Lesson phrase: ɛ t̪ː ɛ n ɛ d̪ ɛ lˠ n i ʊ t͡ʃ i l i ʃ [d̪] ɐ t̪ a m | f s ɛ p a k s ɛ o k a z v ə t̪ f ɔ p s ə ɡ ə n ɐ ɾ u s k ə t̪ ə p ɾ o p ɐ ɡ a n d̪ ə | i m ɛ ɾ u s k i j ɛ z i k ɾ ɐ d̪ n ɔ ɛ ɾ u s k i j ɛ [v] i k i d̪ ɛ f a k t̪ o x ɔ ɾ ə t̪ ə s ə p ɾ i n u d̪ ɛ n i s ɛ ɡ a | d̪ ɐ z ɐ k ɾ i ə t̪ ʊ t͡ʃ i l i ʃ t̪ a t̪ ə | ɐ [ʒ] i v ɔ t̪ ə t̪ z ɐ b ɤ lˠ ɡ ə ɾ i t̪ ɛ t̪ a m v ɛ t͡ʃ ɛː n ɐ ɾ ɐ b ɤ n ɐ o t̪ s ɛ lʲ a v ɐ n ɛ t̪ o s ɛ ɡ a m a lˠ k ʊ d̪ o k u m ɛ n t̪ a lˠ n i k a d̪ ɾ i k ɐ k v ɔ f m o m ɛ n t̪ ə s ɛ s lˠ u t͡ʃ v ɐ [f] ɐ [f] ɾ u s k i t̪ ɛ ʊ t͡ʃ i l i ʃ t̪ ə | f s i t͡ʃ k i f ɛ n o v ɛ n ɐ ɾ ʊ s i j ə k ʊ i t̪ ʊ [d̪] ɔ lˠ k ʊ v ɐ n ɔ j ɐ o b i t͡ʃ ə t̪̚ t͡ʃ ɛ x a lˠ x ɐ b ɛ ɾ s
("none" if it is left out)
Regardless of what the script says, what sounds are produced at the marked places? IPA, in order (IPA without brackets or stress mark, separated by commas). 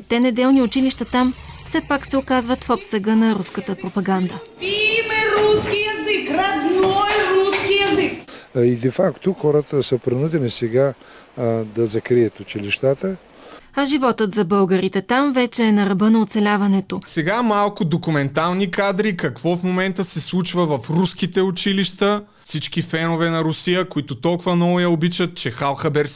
t̪, z, ʒ, v, f, t̪